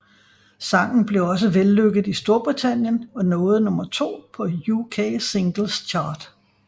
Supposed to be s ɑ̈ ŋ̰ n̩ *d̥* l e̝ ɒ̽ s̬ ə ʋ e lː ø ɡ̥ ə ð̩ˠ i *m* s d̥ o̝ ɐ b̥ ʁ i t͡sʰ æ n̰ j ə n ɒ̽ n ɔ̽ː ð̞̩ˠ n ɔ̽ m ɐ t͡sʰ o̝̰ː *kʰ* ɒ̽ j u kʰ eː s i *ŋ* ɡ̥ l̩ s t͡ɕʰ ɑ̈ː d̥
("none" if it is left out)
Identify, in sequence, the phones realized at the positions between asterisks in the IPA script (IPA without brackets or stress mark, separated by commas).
b̥, none, pʰ, ŋ